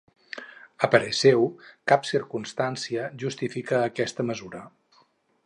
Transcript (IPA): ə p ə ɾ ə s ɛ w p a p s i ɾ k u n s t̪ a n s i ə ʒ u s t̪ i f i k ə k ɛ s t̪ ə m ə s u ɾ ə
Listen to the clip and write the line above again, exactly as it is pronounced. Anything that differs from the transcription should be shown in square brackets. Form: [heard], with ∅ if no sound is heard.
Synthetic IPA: ə p ə ɾ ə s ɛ w [k] a p s i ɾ k u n s t̪ a n s i ə ʒ u s t̪ i f i k [əː] k ɛ s t̪ ə m ə [z] u ɾ ə